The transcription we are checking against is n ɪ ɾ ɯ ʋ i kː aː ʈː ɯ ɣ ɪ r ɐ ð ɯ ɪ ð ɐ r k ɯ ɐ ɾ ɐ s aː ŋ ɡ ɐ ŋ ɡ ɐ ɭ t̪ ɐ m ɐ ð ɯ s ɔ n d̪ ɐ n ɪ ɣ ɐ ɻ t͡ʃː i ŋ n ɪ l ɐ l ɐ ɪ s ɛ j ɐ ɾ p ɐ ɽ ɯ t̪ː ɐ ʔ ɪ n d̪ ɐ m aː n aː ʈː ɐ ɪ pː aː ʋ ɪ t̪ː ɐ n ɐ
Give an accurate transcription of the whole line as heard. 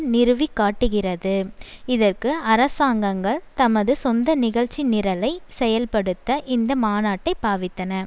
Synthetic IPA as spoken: n ɪ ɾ ɯ ʋ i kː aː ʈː ɯ ɣ ɪ r ɐ ð ɯ ɪ ð ɐ r k ɯ ɐ ɾ ɐ s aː ŋ ɡ ɐ ŋ ɡ ɐ ɭ t̪ ɐ m ɐ ð ɯ s ɔ n d̪ ɐ n ɪ ɣ ɐ ɻ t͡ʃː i n ɪ ɾ ɐ l ɐ ɪ s ɛ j ɐ l p ɐ ɽ ɯ t̪ː ɐ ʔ ɪ n d̪ ɐ m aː n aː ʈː ɐ ɪ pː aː ʋ ɪ t̪ː ɐ n ɐ